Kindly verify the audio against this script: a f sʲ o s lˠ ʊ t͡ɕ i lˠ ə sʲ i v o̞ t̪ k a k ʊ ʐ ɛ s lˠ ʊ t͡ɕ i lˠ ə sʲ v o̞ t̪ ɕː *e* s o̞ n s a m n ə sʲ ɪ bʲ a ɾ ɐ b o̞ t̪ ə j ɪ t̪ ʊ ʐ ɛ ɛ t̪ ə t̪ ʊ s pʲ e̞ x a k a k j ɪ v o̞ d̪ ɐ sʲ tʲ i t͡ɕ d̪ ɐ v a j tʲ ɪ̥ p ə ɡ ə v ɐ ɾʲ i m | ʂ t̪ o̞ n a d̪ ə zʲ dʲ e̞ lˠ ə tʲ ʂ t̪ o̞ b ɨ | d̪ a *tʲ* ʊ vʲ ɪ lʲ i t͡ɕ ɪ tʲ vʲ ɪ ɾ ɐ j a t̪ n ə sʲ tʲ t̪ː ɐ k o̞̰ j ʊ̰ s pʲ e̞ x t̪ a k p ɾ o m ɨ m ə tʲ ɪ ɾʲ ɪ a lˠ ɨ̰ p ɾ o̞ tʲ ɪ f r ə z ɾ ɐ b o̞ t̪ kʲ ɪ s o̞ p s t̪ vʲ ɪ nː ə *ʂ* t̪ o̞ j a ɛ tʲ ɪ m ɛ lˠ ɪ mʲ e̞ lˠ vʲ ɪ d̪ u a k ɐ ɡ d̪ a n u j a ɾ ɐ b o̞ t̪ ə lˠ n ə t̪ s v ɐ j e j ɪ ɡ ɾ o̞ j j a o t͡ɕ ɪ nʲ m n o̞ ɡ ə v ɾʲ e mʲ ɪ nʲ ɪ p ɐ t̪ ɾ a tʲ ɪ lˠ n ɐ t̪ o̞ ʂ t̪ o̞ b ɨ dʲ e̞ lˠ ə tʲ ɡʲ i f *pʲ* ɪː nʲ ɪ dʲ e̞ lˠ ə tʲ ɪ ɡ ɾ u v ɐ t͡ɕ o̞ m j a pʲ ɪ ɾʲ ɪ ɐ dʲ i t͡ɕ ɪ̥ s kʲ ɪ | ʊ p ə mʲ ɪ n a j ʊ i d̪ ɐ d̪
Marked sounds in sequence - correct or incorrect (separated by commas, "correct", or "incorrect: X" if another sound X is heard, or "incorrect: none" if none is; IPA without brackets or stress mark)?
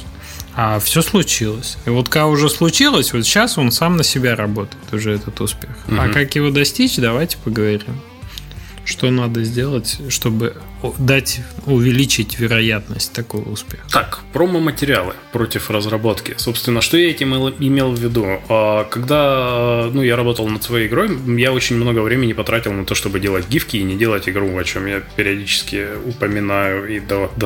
incorrect: a, correct, correct, incorrect: kʲ